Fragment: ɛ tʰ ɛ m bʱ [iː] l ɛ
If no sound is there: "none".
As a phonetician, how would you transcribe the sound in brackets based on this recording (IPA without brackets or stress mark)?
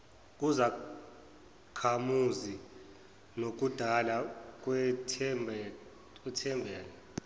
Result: ɛː